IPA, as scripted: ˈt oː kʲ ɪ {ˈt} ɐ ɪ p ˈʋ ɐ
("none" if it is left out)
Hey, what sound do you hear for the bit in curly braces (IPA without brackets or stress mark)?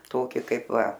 k